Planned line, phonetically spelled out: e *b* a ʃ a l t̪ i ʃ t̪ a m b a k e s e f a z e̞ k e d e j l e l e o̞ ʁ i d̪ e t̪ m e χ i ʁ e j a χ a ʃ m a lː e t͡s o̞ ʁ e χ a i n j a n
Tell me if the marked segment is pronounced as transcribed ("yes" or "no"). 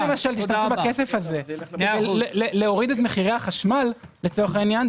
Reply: no